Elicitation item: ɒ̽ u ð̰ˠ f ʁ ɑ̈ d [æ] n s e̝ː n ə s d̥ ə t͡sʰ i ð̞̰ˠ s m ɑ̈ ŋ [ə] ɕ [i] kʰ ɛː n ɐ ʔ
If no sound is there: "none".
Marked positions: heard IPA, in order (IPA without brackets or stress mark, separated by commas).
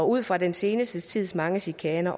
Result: e, ə, i